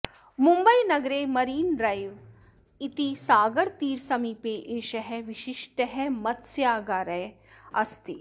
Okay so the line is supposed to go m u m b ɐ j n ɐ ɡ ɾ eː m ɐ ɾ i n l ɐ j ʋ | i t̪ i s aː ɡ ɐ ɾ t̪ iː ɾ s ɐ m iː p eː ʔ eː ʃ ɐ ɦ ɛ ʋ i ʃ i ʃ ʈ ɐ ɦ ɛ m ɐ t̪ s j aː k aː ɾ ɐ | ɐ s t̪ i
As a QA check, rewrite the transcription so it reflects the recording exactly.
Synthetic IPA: m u m b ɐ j n ɐ ɡ ɾ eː m ɐ ɾ iː n ɾ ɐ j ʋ | i t̪ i s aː ɡ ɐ ɾ t̪ iː ɾ s ɐ m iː p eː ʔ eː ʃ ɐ ɦ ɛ ʋ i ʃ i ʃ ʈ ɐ ɦ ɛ m ɐ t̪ s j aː ɡ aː ɾ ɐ | ɐ s t̪ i

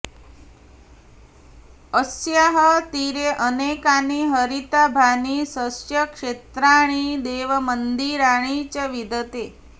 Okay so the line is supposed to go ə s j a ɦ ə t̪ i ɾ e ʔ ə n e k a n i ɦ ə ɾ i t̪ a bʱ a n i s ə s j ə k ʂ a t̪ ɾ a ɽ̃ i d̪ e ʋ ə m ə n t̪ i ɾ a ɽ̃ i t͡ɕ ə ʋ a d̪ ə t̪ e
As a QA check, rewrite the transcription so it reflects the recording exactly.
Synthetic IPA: ə s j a ɦ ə t̪ i ɾ e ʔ ə n e k a n i ɦ ə ɾ i t̪ a bʱ a n i s ə s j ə k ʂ e t̪ ɾ a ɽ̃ i d̪ e ʋ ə m ə n d̪ i ɾ a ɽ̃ i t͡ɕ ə ʋ i d̪ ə t̪ e

